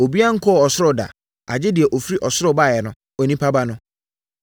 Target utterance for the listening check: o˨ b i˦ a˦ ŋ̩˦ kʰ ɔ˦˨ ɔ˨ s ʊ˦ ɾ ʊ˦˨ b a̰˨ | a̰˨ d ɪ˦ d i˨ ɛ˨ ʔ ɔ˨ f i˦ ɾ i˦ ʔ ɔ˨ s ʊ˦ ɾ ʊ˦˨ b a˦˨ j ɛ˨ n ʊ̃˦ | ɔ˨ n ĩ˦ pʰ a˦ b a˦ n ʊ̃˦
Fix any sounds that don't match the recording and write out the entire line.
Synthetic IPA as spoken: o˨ b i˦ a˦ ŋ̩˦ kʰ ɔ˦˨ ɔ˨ s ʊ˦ ɾ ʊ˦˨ d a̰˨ | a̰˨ d͡ʑ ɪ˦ d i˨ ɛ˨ ʔ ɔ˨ f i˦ ɾ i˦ ʔ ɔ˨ s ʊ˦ ɾ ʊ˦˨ b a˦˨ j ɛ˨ n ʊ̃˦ | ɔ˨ n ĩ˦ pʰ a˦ b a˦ n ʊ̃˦